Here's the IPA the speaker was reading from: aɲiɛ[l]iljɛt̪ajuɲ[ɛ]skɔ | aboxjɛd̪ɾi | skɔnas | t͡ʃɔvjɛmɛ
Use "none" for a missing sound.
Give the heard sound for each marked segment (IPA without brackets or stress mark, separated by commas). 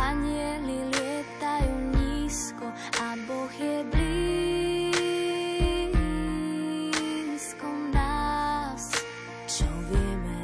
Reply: l, i